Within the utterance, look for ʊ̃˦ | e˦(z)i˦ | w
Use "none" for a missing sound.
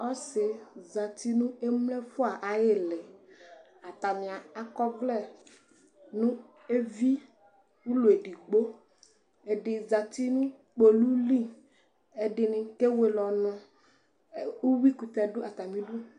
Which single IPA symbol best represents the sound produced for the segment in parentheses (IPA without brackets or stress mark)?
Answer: v